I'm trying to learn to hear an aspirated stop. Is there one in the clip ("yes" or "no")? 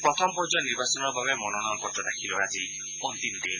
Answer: yes